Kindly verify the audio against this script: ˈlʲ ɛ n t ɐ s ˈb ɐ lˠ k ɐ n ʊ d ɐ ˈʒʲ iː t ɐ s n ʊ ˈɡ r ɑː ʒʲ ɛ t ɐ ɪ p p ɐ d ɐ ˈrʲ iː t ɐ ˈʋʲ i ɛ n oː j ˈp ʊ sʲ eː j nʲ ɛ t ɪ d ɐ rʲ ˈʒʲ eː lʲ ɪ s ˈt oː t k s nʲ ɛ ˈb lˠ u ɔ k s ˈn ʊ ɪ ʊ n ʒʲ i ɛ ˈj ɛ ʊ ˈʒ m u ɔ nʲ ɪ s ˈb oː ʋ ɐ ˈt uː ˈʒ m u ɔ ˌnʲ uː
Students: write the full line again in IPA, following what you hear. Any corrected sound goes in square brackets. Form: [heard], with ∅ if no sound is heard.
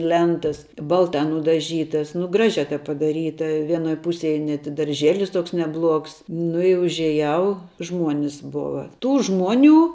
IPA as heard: ˈlʲ ɛ n t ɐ s ˈb ɐ lˠ [t] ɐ n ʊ d ɐ ˈʒʲ iː t ɐ s n ʊ ˈɡ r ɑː ʒʲ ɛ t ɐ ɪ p p ɐ d ɐ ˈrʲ iː t ɐ ˈʋʲ i ɛ n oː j ˈp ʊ sʲ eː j nʲ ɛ t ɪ d ɐ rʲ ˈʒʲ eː lʲ ɪ s ˈt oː [∅] k s nʲ ɛ ˈb lˠ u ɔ k s ˈn ʊ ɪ ʊ [∅] ʒʲ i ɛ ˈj ɛ ʊ ˈʒ m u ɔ nʲ ɪ s ˈb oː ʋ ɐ ˈt uː ˈʒ m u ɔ ˌnʲ uː